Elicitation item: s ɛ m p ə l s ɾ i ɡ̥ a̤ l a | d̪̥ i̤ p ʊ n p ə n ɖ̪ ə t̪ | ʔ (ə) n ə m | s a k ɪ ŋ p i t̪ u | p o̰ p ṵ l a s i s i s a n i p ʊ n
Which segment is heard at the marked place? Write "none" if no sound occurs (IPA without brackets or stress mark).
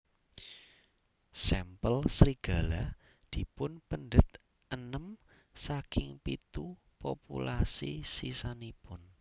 ə